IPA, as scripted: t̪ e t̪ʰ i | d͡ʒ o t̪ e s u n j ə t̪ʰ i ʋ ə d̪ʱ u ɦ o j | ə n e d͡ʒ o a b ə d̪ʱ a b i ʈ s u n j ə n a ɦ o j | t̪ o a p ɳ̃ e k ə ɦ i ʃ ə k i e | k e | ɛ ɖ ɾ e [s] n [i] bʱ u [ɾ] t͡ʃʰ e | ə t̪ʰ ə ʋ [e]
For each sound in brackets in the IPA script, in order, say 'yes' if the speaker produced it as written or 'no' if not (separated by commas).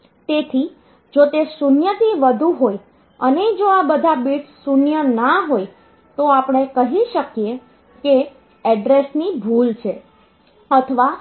yes, yes, no, no